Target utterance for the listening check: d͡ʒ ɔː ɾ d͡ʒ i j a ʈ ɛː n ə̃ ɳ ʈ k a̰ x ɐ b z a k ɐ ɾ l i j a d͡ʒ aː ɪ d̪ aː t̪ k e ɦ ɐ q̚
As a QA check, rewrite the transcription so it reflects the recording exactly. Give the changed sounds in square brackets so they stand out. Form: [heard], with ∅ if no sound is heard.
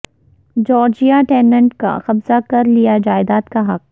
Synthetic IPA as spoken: d͡ʒ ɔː ɾ d͡ʒ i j a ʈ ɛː n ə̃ ɳ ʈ k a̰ x ɐ b z a k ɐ ɾ l i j a d͡ʒ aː ɪ d̪ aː t̪ k [a] ɦ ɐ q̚

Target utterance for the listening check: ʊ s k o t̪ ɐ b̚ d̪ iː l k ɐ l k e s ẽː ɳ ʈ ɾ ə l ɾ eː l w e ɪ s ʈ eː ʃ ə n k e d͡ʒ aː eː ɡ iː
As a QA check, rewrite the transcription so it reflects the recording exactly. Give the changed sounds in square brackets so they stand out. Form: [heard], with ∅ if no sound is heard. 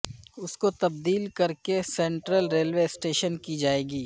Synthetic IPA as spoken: ʊ s k o t̪ ɐ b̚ d̪ iː l k ɐ [ɾ] k e s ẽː ɳ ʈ ɾ ə l ɾ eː l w e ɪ s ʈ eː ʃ ə n k [i] d͡ʒ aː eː ɡ iː

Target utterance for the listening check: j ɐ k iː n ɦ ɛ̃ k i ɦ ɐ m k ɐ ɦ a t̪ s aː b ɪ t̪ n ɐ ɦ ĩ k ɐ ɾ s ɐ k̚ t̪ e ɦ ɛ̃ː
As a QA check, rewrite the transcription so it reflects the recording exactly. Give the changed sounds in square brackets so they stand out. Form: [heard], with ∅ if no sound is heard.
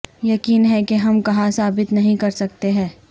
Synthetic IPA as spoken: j ɐ k iː n ɦ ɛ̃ k [e] ɦ ɐ m k ɐ ɦ a [∅] s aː b ɪ t̪ n ɐ ɦ ĩ k ɐ ɾ s ɐ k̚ t̪ e ɦ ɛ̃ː

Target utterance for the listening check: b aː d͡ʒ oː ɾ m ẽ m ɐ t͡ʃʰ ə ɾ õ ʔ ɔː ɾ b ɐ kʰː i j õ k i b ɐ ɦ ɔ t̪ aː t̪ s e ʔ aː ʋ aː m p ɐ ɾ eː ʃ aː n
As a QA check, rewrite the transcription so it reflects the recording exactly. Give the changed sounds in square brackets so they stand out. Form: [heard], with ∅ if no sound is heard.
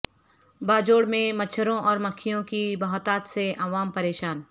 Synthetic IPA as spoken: b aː d͡ʒ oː [ɽ] m ẽ m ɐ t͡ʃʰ ə ɾ õ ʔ ɔː ɾ [m] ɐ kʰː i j õ k i b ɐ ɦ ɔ t̪ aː t̪ s e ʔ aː ʋ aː m p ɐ ɾ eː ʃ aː n

